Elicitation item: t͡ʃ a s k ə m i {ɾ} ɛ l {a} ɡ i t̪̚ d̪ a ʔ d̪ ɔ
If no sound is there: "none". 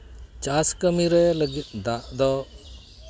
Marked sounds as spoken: ɾ, ə

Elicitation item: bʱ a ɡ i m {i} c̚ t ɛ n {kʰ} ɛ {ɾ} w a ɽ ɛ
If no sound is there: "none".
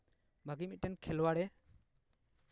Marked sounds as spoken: i, kʰ, l

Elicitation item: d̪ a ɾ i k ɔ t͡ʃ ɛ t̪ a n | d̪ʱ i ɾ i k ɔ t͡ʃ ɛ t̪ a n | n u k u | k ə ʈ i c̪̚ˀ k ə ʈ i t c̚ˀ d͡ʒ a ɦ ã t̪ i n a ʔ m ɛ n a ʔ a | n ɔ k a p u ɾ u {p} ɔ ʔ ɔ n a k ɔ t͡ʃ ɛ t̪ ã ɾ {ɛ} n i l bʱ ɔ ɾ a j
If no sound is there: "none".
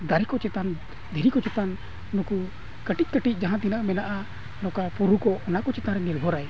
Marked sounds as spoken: k, ɛ

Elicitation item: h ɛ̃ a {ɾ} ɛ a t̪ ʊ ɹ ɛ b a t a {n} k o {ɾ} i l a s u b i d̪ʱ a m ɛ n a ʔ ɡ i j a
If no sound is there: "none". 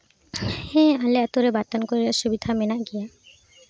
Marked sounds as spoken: l, n, ɹ

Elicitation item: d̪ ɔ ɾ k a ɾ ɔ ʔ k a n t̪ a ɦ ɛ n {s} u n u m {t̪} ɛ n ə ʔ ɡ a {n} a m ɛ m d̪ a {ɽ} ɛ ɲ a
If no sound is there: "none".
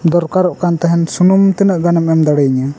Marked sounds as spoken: s, t̪, n, ɽ

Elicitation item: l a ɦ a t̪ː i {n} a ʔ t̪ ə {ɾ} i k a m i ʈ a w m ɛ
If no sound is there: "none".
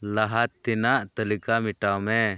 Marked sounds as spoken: n, l

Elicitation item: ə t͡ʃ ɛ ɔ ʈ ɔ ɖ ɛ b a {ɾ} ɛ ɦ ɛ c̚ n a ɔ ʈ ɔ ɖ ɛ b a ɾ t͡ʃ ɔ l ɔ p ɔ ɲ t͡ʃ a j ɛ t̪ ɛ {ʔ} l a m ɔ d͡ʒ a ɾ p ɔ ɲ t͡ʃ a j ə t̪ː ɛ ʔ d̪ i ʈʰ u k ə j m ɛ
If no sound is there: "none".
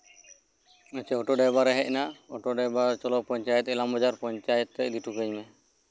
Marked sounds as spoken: ɾ, none

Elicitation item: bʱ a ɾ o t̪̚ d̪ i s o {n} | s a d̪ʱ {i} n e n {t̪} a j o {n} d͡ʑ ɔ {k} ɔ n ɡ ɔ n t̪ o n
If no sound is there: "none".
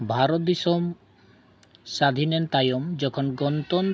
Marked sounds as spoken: m, i, t̪, m, kʰ

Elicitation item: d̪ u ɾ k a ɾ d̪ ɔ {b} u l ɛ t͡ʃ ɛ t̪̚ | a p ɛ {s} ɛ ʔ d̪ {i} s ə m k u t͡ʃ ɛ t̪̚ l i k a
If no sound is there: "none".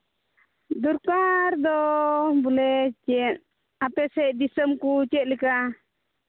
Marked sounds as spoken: b, s, i

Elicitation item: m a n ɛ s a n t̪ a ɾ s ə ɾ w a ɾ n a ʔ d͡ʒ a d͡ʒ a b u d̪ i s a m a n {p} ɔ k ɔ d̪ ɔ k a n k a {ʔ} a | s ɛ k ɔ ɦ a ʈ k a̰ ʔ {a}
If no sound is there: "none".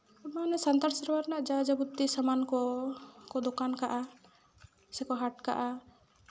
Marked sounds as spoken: k, ʔ, a

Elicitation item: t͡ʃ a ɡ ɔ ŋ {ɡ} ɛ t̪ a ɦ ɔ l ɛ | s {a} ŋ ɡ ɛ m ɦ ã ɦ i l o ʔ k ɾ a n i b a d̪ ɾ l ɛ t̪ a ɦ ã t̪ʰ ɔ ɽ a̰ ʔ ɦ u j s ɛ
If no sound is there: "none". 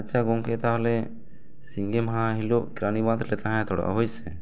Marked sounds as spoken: k, i

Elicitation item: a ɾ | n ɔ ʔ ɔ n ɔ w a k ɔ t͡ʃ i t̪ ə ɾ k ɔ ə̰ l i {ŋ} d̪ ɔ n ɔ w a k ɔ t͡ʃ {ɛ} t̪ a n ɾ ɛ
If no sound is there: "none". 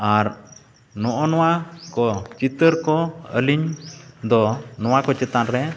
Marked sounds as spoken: ɲ, ɛ

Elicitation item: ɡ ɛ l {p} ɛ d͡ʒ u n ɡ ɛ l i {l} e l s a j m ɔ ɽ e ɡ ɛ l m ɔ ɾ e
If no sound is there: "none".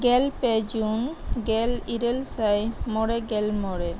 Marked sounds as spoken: p, ɾ

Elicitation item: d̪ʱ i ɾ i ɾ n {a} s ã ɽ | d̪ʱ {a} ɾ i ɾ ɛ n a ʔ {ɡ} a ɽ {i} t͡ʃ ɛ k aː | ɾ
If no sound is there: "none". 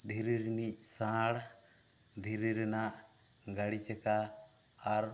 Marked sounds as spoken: i, i, ɡ, i

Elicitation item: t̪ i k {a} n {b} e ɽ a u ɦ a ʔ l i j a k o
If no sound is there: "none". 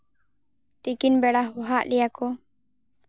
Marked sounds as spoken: i, b

